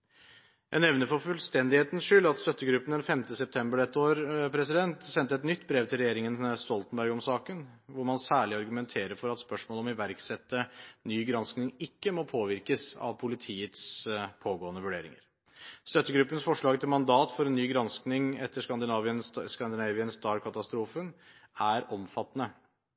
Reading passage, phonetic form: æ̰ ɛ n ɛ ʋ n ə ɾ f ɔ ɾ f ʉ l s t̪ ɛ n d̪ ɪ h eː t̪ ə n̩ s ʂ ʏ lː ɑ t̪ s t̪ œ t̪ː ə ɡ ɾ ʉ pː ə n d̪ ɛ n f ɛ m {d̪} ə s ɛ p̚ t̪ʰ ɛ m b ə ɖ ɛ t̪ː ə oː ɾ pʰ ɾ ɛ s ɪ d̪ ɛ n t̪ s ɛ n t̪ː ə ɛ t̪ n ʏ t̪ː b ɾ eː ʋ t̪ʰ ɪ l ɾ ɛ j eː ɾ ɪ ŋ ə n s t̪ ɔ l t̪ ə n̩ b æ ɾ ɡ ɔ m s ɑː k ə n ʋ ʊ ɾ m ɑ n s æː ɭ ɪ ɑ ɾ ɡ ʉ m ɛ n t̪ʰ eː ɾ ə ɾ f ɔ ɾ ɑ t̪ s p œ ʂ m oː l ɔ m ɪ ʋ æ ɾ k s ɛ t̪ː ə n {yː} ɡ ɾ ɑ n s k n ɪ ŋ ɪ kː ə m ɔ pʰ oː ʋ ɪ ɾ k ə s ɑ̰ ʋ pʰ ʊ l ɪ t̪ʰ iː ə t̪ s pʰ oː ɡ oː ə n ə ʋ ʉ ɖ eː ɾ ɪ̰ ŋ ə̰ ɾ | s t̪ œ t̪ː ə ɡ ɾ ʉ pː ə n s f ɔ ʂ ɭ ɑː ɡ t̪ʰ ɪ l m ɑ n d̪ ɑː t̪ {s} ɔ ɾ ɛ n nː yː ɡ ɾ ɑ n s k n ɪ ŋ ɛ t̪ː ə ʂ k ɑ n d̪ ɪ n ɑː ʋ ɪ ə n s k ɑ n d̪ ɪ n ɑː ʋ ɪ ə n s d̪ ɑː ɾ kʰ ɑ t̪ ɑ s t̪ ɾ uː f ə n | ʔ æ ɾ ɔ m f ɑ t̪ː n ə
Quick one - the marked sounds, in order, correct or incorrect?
incorrect, correct, incorrect

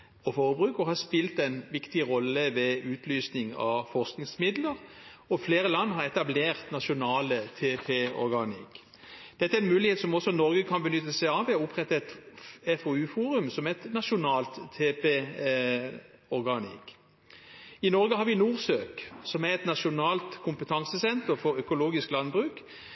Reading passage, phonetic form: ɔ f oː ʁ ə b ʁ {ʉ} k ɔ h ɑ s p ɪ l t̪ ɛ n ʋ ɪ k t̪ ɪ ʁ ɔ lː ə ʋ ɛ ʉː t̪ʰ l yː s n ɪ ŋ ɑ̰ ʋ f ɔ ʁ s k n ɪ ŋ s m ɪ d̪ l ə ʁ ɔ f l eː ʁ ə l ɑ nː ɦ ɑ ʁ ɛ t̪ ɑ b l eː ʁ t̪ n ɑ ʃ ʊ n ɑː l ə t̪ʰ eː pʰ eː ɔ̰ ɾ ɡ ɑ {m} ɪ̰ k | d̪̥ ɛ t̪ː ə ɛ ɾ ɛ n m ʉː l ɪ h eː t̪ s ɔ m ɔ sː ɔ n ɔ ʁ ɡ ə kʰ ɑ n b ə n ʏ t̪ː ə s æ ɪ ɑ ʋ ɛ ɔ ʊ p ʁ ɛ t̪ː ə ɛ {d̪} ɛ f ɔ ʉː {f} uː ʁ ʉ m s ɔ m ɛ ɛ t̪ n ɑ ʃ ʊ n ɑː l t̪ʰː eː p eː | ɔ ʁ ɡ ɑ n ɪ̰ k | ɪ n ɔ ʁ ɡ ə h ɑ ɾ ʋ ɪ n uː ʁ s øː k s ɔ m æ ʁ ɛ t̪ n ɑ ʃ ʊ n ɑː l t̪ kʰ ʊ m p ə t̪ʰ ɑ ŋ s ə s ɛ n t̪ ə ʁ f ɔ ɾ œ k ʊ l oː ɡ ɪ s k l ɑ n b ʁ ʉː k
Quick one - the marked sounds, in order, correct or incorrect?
incorrect, incorrect, incorrect, correct

